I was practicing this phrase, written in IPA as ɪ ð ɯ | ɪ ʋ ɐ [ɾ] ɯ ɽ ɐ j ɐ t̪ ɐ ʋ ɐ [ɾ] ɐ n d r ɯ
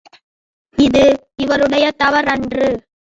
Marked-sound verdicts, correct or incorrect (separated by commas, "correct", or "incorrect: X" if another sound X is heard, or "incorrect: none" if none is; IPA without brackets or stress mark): correct, correct